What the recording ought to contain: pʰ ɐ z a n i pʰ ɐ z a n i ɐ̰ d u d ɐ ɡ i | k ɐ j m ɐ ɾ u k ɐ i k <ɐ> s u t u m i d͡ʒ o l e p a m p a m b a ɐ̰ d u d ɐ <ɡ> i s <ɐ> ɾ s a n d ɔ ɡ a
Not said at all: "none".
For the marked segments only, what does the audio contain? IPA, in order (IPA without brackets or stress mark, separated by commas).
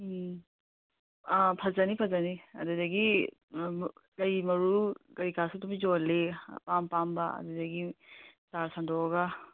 a, ɡ, a